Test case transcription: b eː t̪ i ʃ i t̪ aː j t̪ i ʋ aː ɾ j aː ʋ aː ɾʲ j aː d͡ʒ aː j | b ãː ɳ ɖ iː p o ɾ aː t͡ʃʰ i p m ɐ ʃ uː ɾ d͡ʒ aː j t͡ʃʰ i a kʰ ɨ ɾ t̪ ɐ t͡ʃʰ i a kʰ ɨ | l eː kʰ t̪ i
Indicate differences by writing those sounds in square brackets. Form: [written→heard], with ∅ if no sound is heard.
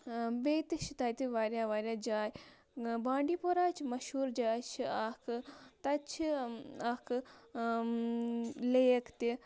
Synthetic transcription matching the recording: b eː t̪ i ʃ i t̪ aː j t̪ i ʋ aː ɾ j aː ʋ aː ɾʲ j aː d͡ʒ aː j | b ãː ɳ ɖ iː p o ɾ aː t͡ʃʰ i [p→∅] m ɐ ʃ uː ɾ d͡ʒ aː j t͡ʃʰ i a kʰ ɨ [ɾ→∅] t̪ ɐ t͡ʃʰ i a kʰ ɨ | l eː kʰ t̪ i